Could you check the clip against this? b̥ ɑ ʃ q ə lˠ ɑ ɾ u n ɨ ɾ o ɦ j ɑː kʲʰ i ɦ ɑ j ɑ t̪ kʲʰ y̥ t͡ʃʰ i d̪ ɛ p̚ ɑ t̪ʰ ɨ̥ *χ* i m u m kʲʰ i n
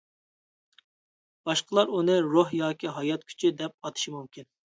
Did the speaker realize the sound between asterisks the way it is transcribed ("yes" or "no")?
no